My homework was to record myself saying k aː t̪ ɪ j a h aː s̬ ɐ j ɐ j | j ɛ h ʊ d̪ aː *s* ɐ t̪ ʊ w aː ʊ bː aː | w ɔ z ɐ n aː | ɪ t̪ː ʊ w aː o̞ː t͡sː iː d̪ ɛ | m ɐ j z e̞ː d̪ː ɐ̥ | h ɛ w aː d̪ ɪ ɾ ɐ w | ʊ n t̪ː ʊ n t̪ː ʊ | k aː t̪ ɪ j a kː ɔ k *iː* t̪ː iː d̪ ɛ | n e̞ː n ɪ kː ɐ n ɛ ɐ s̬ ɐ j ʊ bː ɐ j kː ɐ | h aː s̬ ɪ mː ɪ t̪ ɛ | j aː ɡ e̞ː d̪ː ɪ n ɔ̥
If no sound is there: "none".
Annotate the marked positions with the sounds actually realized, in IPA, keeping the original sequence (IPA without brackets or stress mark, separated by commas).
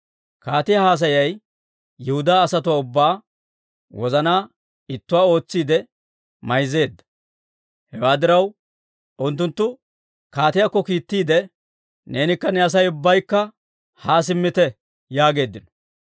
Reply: s, iː